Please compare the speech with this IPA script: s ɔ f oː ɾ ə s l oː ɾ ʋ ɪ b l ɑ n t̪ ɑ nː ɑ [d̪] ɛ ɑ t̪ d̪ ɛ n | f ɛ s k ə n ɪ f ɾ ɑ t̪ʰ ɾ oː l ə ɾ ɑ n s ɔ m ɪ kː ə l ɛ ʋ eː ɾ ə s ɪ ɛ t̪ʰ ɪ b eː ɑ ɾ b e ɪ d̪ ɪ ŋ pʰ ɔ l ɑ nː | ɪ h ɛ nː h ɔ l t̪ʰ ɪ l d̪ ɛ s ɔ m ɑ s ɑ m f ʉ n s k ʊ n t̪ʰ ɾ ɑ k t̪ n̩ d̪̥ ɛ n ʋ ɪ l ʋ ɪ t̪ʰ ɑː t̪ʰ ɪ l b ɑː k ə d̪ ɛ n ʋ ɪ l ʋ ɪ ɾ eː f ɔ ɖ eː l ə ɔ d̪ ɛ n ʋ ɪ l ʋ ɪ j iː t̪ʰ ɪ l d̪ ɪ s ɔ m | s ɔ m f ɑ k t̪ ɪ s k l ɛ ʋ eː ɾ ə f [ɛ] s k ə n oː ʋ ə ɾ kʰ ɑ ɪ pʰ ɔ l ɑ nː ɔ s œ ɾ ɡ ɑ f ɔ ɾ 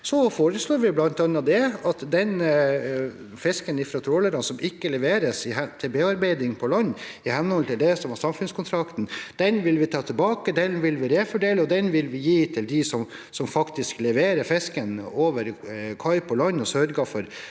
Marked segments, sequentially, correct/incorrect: correct, correct

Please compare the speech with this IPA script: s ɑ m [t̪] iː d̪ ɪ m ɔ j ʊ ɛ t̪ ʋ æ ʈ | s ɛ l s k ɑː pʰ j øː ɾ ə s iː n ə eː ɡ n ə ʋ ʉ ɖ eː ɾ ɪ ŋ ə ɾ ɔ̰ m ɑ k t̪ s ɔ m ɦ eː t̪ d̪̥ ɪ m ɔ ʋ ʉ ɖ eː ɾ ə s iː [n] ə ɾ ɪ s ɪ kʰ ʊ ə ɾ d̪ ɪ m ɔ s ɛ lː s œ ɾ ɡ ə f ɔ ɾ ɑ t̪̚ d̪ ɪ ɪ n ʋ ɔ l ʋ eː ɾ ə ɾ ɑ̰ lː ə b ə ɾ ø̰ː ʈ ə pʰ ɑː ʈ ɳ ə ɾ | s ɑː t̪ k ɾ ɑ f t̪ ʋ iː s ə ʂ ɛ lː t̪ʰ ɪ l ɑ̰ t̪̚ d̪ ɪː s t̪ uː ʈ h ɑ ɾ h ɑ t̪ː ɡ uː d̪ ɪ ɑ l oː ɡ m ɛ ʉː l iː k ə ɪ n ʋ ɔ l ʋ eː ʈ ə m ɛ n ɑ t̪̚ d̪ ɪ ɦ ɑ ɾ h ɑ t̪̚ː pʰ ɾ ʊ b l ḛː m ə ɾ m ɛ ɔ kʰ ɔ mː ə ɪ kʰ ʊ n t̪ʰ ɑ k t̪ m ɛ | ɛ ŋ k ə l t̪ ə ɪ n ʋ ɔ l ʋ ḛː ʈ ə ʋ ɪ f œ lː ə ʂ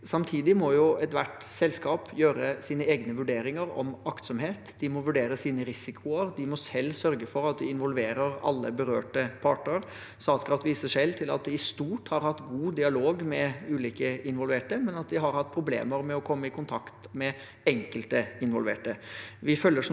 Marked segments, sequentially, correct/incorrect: incorrect: t̪ʰ, correct

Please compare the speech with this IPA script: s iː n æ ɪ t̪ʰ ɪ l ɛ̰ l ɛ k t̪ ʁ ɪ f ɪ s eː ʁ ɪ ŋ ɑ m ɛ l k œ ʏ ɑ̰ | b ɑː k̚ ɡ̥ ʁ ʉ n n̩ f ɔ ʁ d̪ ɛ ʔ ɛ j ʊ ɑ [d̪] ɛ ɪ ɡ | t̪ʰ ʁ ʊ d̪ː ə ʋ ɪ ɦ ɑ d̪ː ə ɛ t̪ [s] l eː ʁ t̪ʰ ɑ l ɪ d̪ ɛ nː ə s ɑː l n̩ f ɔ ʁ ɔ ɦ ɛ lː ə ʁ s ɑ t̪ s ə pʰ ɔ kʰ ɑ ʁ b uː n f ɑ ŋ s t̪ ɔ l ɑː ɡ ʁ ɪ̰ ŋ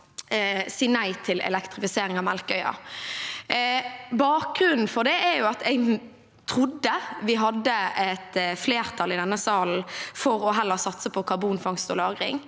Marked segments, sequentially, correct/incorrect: incorrect: t̪, incorrect: f

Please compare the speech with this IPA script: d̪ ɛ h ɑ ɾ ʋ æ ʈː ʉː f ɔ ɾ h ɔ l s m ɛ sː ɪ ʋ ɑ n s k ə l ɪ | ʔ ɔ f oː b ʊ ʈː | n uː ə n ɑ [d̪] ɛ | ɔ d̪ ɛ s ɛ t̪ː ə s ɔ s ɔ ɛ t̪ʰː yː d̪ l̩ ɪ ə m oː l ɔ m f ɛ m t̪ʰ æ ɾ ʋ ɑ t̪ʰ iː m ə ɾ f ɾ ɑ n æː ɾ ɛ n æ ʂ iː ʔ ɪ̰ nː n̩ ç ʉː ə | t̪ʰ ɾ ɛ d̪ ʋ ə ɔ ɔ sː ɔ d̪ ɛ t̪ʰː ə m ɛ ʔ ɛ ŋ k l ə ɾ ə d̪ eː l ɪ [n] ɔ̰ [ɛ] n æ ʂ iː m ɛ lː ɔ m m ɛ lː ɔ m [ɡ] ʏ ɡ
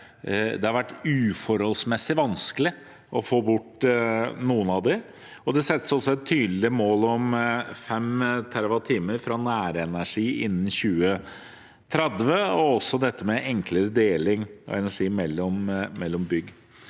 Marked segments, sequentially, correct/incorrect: correct, incorrect: ŋ, correct, incorrect: b

